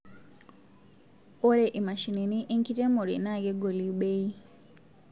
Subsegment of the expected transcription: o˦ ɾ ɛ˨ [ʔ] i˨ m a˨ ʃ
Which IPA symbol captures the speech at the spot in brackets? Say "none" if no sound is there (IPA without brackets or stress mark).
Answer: ʔ